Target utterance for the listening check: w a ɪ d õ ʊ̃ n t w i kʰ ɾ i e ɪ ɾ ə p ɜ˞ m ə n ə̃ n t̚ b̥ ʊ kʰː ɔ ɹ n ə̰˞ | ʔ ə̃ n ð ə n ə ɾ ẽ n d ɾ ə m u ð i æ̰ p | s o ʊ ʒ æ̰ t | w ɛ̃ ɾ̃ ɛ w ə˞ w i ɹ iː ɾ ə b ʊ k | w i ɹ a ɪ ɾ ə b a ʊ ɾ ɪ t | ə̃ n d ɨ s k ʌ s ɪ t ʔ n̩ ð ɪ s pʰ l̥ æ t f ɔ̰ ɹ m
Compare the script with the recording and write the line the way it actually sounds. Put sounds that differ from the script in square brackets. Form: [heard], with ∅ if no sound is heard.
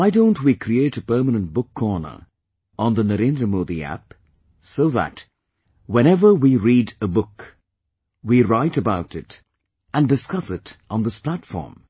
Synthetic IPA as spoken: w a ɪ d õ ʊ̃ n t w i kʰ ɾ i e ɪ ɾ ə p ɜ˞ m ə n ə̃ n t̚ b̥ ʊ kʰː ɔ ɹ n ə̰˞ | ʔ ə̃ n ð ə n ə ɾ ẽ n d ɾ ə m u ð i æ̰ p | s o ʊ [ð] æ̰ t | w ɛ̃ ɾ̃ ɛ [v] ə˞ w i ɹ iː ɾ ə b ʊ k | w i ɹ a ɪ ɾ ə b a ʊ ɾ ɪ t | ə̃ n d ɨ s k ʌ s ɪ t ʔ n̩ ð ɪ s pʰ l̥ æ t f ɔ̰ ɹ m

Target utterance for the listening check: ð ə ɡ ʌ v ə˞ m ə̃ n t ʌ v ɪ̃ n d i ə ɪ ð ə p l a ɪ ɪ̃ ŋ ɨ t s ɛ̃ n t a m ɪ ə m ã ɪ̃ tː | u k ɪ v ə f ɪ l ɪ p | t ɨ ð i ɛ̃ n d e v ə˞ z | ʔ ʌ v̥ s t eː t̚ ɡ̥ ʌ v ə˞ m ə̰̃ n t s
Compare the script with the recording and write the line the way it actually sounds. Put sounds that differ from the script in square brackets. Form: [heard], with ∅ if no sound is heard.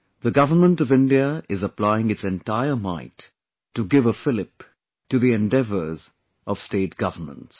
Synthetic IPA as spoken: ð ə ɡ ʌ v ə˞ m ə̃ n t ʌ v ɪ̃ n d i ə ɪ [z] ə p l a ɪ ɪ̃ ŋ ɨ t s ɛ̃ n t a [∅] ɪ ə m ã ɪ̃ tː | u [ɡ] ɪ v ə f ɪ l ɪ p | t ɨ ð i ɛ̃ n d [ɛ] v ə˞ z | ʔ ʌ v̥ s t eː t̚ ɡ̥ ʌ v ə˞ m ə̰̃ n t s

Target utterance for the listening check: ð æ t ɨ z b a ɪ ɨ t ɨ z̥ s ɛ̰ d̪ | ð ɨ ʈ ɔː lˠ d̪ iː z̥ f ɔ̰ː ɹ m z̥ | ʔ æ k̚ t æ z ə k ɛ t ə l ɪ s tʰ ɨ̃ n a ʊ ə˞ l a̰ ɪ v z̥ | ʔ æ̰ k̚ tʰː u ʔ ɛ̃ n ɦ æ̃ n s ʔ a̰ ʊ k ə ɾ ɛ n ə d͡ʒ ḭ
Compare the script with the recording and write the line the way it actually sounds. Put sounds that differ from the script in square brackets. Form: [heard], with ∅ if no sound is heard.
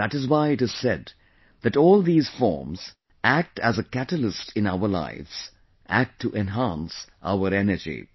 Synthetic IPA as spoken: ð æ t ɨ z [w] a ɪ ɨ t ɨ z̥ s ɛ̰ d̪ | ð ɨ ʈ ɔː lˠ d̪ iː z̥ f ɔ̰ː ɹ m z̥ | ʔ æ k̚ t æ z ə k [æ] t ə l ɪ s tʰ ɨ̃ n a ʊ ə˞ l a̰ ɪ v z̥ | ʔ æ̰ k̚ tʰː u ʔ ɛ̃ n ɦ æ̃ n s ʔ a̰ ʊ [∅] ə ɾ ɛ n ə d͡ʒ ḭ

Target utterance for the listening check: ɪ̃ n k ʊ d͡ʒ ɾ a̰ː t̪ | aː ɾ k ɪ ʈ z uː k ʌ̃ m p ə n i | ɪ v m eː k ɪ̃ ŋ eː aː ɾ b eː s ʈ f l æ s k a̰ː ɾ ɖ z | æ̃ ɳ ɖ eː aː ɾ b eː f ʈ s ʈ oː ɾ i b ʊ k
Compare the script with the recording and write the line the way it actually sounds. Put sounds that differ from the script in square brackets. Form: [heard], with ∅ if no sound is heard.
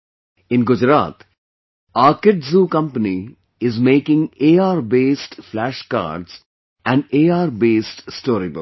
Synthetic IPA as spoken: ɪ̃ n [ɡ] ʊ d͡ʒ ɾ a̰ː t̪ | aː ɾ k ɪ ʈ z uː k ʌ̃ m p ə n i | ɪ [z] m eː k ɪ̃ ŋ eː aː ɾ b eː s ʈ f l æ [ʃ] k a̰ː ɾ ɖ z | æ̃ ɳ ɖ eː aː ɾ b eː [s] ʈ s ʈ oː ɾ i b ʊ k

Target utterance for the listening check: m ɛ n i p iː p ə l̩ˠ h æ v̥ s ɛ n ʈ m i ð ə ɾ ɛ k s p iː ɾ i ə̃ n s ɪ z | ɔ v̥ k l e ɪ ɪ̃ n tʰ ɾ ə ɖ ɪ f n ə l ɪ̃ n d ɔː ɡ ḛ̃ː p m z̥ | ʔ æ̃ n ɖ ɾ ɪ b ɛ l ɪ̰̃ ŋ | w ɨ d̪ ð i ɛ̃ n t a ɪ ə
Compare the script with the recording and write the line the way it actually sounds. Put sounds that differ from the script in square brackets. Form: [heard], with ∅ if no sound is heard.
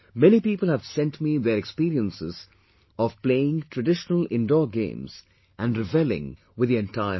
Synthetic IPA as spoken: m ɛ n i p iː p ə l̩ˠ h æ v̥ s [ɛ̃] n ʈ m i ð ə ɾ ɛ k s p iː ɾ i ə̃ n s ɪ z | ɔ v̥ [p] l e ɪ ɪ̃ [ŋ] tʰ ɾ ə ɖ ɪ [ʃ] n ə l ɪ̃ n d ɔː ɡ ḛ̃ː [∅] m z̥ | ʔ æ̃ n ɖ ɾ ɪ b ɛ l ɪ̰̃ ŋ | w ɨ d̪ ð i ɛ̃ n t a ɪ ə

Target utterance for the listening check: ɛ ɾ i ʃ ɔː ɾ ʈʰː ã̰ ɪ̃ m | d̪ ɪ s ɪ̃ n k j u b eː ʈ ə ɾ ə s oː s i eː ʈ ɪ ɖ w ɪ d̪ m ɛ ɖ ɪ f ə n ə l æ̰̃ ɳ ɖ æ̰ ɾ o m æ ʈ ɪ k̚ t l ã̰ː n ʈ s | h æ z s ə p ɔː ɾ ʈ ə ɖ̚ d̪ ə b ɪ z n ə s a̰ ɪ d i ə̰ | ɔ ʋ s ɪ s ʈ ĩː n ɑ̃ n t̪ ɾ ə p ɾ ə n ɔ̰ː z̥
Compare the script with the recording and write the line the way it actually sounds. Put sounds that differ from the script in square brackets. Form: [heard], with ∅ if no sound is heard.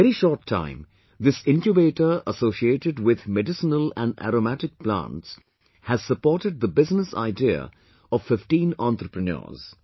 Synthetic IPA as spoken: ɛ ɾ i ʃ ɔː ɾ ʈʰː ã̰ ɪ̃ m | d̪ ɪ s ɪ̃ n k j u b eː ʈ ə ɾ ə s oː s i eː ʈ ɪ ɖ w ɪ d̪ m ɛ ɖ ɪ [s] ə n ə l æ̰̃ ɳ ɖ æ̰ ɾ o m æ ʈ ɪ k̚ [p] l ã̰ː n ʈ s | h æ z s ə p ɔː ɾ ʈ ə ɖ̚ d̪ ə b ɪ z n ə s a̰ ɪ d i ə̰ | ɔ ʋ [f] ɪ [f] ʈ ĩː n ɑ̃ n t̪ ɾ ə p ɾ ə n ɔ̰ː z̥

